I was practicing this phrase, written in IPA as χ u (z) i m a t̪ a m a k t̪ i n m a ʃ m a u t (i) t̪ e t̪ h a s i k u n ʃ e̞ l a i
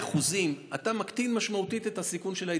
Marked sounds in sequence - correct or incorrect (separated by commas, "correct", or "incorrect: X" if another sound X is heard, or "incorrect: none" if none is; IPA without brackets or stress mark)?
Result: correct, correct